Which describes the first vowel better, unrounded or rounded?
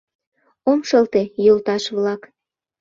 rounded